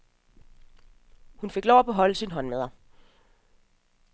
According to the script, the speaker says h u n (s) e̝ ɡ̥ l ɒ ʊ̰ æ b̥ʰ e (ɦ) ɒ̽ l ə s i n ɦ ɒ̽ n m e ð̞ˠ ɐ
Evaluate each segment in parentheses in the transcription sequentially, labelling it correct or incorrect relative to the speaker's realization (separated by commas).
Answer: incorrect, correct